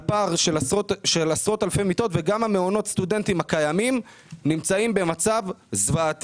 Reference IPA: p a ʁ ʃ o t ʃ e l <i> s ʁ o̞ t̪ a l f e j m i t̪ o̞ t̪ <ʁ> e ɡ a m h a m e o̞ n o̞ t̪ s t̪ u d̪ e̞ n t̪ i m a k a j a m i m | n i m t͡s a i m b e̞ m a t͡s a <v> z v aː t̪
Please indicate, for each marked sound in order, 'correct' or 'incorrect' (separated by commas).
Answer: incorrect, incorrect, correct